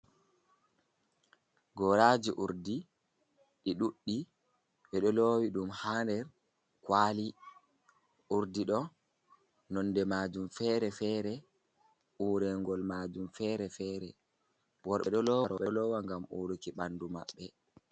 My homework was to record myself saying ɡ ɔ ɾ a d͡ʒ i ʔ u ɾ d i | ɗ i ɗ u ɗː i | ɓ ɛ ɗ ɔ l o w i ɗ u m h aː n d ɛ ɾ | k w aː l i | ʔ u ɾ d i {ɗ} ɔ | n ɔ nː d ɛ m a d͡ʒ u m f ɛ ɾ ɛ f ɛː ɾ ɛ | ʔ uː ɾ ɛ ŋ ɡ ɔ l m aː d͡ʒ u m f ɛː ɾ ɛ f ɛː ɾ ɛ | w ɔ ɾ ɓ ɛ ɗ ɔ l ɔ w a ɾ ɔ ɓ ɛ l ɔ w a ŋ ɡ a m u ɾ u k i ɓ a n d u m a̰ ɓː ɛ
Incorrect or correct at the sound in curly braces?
correct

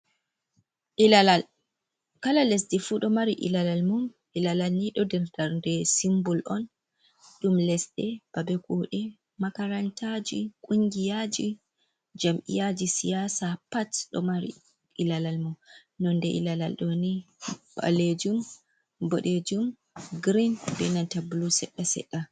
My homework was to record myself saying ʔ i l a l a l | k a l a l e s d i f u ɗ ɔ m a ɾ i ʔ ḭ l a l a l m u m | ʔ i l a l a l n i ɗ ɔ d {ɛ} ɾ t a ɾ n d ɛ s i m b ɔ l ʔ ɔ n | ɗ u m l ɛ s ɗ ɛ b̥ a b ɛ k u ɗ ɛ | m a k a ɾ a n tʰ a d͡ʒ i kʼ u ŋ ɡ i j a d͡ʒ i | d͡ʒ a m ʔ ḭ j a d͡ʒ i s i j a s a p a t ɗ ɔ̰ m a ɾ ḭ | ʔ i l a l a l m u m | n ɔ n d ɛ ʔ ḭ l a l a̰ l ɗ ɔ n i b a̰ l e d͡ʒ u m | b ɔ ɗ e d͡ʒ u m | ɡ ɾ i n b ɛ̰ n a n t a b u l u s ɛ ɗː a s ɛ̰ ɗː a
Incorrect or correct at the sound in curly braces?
correct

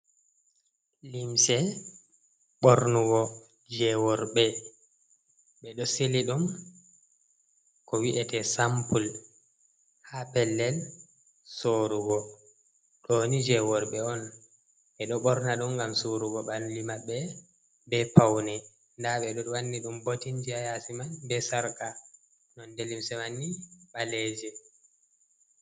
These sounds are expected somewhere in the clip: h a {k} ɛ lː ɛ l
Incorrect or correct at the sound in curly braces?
incorrect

